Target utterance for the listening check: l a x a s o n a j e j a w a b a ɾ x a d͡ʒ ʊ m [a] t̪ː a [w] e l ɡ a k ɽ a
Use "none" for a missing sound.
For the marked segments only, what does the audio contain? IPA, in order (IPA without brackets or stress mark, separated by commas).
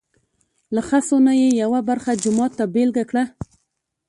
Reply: ɑ, b